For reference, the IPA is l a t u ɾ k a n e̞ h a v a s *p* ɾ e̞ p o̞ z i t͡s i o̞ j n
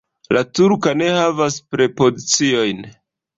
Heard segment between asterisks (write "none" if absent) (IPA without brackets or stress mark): p